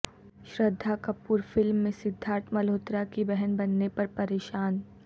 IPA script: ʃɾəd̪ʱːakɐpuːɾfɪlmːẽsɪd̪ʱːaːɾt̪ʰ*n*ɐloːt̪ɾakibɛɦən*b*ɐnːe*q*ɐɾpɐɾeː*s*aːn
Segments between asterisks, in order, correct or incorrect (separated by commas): incorrect, correct, incorrect, incorrect